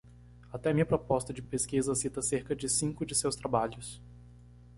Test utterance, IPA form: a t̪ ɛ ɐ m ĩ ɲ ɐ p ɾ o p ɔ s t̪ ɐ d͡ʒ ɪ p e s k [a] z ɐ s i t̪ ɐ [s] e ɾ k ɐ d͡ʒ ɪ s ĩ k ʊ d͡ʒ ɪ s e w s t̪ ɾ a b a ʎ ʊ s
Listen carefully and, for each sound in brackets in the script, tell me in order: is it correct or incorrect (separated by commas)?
incorrect, correct